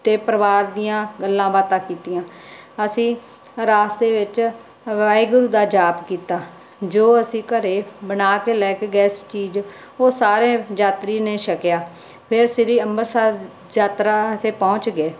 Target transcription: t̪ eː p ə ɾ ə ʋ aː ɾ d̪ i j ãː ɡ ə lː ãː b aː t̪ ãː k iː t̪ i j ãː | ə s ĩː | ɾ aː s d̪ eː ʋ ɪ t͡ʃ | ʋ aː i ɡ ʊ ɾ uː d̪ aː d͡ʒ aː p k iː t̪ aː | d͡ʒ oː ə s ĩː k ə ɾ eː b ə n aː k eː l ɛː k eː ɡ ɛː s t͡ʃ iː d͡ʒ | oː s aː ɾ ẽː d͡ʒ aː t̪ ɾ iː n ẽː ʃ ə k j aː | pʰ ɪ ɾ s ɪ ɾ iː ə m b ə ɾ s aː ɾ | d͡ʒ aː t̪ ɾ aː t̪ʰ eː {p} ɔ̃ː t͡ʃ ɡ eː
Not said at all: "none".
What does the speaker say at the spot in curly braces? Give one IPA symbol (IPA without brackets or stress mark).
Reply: p